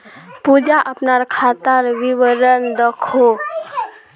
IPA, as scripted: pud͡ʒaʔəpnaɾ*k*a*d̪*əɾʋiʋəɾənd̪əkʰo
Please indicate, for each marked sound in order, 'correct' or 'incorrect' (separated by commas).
incorrect, incorrect